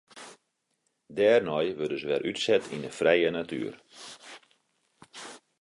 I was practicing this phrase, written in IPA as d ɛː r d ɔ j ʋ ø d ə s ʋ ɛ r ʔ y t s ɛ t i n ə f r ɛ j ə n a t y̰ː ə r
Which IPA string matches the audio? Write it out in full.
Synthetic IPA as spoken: d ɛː r n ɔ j ʋ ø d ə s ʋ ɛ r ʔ y t s ɛ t i n ə f r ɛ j ə n a t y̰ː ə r